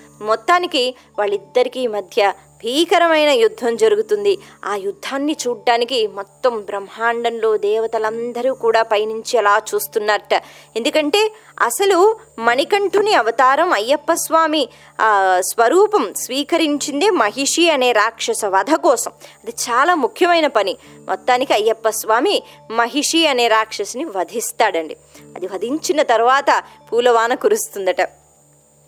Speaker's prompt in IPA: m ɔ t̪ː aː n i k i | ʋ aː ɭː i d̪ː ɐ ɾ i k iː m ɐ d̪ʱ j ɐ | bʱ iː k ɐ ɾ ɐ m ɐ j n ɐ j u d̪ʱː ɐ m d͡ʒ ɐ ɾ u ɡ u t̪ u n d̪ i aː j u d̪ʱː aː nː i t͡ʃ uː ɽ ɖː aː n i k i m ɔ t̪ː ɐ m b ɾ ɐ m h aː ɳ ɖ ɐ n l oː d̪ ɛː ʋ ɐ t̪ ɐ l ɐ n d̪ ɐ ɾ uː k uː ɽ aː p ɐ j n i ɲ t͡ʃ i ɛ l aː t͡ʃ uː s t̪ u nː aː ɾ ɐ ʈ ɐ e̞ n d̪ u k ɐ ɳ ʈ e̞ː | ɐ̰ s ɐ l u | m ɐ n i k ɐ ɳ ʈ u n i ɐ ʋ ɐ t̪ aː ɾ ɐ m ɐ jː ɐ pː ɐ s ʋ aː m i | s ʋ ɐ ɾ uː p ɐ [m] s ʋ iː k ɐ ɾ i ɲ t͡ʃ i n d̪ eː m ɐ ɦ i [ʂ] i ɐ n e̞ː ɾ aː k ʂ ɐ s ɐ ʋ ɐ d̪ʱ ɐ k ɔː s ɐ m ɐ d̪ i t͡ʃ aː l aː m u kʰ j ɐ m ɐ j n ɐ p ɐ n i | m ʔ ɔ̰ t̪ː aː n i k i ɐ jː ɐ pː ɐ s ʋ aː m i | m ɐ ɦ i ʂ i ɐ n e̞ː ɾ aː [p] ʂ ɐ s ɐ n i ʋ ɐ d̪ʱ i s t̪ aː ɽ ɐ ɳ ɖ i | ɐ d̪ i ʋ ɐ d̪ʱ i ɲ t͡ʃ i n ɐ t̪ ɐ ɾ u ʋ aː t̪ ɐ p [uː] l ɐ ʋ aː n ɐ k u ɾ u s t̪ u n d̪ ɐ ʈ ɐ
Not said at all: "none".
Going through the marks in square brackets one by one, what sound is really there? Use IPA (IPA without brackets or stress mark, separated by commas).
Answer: m, ʂ, k, uː